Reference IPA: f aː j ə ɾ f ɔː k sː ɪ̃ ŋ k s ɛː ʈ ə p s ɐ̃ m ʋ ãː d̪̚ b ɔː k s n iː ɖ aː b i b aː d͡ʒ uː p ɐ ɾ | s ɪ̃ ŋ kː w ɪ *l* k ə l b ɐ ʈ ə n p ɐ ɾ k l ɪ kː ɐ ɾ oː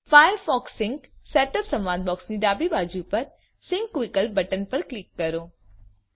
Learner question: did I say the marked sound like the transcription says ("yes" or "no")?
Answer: no